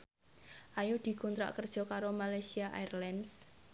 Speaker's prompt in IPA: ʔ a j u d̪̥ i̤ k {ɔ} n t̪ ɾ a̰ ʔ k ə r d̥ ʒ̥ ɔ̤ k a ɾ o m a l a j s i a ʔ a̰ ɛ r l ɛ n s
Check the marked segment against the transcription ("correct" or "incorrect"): incorrect